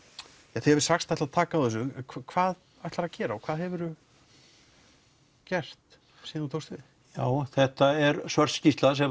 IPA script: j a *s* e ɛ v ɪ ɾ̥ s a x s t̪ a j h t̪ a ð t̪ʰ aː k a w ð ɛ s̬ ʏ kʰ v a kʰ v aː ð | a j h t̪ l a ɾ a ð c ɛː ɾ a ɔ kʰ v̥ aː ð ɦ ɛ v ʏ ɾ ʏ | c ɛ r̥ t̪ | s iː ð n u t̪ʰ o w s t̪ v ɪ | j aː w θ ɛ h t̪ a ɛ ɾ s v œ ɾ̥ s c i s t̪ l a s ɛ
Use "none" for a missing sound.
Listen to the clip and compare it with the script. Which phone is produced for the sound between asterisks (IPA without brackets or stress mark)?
θ